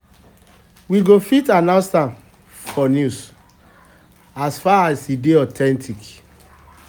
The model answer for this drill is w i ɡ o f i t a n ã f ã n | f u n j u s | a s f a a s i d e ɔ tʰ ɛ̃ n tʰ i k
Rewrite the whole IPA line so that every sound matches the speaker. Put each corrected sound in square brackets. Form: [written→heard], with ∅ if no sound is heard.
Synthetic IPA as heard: w i ɡ o f i t a n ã [f→s] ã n | f [u→ɔ] n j u s | a s f a a s i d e ɔ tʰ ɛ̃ n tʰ i k